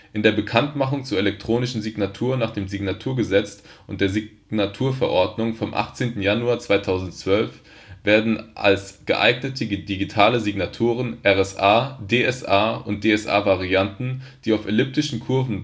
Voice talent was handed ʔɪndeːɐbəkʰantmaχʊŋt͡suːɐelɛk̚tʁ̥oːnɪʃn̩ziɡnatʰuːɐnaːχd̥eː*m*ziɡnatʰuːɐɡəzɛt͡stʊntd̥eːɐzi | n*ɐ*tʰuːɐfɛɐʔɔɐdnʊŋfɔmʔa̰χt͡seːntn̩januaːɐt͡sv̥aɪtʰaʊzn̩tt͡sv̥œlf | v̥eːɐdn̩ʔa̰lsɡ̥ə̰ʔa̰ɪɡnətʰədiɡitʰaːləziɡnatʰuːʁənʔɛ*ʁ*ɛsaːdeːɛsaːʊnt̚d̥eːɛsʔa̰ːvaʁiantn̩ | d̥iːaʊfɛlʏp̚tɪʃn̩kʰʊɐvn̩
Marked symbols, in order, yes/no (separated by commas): yes, no, yes